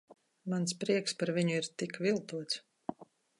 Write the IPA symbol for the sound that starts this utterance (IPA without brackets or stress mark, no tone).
m